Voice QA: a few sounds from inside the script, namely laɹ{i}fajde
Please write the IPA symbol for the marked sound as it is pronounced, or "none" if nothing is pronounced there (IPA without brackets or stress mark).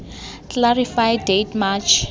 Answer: i